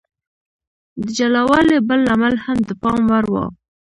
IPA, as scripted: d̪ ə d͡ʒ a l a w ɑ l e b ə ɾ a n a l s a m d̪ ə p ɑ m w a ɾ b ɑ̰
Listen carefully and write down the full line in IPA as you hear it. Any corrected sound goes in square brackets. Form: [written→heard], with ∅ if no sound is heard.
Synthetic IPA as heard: d̪ ə d͡ʒ a l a w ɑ l e b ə [ɾ→l] a [n→m] a l [s→h] a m d̪ ə p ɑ m w a ɾ [b→w] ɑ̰